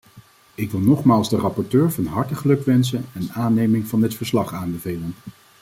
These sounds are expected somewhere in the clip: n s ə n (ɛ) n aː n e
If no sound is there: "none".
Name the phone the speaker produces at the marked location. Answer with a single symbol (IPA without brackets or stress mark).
ɛ